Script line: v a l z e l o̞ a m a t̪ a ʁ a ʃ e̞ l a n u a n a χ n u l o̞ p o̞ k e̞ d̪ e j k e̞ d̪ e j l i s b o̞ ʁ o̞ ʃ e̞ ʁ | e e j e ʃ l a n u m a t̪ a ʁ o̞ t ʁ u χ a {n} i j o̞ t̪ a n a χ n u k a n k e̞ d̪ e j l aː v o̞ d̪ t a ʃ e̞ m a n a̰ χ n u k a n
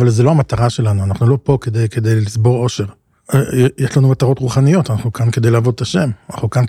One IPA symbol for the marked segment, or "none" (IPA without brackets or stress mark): n